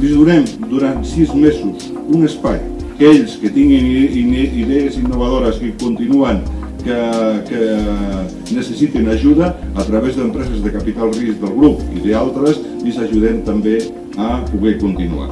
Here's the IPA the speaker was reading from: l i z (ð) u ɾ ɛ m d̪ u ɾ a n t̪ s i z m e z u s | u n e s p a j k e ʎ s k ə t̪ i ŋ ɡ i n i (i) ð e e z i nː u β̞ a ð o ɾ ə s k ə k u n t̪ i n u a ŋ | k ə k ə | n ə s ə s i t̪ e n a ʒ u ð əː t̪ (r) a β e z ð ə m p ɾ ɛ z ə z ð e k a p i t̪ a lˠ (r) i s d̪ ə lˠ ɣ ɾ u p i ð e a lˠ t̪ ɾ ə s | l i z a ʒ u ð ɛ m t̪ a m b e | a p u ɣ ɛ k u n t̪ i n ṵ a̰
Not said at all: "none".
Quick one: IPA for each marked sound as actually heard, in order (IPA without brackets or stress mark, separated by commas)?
ð, i, ɾ, r